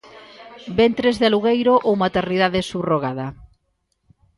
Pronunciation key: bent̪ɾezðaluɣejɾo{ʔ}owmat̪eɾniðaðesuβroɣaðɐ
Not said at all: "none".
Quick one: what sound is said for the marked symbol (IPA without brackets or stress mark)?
ʔ